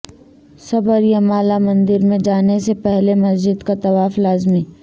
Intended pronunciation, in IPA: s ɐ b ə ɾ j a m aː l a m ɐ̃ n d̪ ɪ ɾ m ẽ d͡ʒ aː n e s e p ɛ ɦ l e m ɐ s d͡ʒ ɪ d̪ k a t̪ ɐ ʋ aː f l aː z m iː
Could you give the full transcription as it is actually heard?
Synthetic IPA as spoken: s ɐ b ə ɾ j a m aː l a m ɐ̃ n d̪ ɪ ɾ m ẽ d͡ʒ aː n e s e p ɛ ɦ l e m ɐ s d͡ʒ ɪ d̪ k a t̪ ɐ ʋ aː f l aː z m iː